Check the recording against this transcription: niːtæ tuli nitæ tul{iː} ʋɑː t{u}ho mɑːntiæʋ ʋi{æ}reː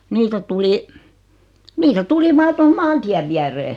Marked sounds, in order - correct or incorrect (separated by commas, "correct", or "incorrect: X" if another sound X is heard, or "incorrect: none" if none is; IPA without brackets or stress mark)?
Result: incorrect: i, incorrect: o, correct